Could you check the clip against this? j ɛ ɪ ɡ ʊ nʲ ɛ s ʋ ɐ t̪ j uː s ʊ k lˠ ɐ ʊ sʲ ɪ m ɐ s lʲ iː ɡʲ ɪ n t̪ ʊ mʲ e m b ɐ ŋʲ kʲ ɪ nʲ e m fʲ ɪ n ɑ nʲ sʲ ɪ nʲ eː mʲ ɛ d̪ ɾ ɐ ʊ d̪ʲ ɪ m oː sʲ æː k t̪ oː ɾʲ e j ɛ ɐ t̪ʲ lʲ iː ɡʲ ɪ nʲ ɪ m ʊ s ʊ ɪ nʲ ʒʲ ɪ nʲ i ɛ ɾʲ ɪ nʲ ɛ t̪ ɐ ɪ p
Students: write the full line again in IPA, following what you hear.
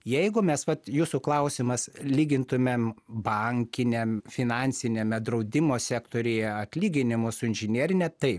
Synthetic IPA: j ɛ ɪ ɡ ʊ mʲ ɛ s ʋ ɐ t̪ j uː s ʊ k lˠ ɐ ʊ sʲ ɪ m ɐ s lʲ iː ɡʲ ɪ n t̪ ʊ mʲ e m b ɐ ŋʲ kʲ ɪ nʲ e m fʲ ɪ n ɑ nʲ sʲ ɪ nʲ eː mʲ ɛ d̪ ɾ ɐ ʊ d̪ʲ ɪ m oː sʲ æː k t̪ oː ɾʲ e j ɛ ɐ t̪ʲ lʲ iː ɡʲ ɪ nʲ ɪ m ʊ s ʊ ɪ nʲ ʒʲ ɪ nʲ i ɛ ɾʲ ɪ nʲ ɛ t̪ ɐ ɪ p